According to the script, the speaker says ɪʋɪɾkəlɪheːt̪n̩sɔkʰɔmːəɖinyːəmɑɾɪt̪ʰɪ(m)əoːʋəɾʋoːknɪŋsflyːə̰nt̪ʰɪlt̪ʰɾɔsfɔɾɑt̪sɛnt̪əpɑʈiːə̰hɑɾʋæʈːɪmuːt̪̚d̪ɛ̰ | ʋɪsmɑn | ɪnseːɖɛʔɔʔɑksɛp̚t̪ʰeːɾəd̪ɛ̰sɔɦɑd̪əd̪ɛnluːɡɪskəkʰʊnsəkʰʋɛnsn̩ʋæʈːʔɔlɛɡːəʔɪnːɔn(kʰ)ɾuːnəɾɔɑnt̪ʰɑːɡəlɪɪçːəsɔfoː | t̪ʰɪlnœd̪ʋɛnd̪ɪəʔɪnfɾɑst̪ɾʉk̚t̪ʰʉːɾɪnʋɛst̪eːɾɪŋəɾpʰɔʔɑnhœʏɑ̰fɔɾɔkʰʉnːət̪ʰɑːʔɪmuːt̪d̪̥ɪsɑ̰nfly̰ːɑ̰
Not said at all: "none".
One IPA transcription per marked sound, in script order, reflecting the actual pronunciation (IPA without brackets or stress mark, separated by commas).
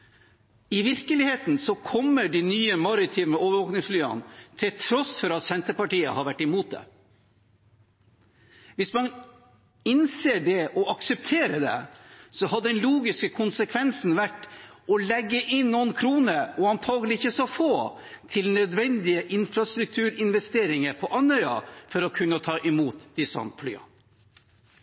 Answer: m, kʰ